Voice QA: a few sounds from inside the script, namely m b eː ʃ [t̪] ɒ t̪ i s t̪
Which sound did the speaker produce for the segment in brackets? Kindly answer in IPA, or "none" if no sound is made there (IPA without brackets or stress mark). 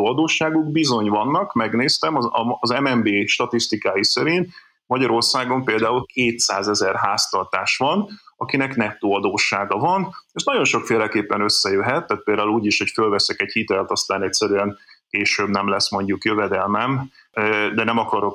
t̪